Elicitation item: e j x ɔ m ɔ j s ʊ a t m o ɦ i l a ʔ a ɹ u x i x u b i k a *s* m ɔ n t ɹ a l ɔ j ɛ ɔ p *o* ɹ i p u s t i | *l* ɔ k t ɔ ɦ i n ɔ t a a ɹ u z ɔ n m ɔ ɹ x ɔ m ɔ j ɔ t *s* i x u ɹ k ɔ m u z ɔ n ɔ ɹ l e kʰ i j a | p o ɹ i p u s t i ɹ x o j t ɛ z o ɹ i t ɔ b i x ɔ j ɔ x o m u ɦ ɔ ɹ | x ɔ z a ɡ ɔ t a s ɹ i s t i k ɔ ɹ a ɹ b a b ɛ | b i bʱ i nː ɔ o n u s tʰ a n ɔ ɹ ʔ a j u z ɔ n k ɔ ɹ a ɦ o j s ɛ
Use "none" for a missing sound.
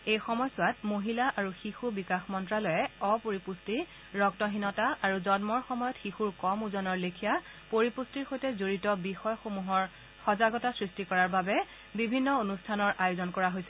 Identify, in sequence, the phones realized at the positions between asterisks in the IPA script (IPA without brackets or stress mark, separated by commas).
x, o, ɹ, x